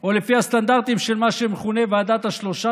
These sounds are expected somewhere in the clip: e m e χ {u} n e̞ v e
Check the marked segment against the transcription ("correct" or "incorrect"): correct